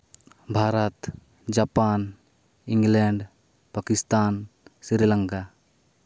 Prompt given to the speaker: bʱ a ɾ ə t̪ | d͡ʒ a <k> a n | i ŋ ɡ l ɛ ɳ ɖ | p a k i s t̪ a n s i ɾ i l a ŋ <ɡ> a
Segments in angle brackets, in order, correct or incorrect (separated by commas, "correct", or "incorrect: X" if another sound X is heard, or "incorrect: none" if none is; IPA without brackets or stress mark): incorrect: p, incorrect: k